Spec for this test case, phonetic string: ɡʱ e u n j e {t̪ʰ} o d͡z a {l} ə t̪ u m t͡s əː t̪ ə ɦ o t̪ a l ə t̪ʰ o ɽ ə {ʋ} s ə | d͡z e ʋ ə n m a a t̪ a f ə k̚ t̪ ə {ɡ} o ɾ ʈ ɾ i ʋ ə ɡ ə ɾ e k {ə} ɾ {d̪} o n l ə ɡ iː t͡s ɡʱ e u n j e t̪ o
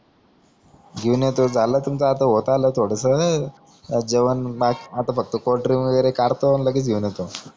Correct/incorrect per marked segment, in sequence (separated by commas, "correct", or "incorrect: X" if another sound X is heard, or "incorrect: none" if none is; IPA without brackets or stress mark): incorrect: t̪, correct, incorrect: none, incorrect: k, incorrect: a, incorrect: t̪